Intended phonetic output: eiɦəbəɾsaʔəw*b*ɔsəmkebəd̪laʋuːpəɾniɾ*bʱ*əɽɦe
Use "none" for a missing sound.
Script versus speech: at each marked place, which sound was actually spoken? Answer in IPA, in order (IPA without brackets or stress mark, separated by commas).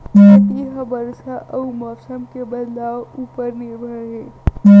m, bʱ